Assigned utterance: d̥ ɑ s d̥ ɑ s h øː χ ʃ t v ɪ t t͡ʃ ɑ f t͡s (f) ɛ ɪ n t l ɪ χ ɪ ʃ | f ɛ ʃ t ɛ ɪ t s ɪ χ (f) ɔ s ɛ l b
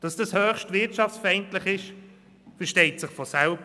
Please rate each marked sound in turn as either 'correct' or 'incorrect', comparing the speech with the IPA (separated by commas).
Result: correct, correct